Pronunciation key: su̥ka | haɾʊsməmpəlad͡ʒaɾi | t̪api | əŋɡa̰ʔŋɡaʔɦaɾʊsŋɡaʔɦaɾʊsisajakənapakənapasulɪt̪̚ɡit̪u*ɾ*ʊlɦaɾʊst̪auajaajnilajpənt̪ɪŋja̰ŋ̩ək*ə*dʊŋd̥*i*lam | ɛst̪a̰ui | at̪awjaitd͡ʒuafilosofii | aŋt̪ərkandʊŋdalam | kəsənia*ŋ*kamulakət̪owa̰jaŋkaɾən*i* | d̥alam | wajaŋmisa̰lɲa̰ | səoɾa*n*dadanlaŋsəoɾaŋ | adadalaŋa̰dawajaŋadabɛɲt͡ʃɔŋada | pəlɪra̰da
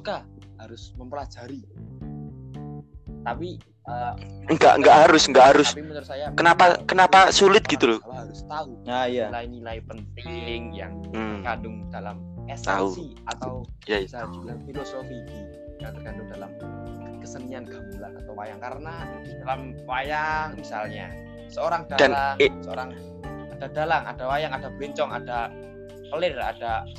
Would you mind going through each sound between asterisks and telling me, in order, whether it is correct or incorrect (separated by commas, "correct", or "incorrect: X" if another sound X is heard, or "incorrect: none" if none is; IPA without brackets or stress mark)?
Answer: incorrect: l, incorrect: a, incorrect: a, incorrect: n, incorrect: a, incorrect: ŋ